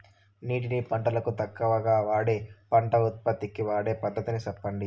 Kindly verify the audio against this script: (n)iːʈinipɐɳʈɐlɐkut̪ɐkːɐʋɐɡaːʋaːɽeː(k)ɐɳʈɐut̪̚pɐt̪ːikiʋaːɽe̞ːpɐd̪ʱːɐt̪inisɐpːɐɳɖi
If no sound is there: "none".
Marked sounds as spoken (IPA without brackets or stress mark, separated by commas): n, p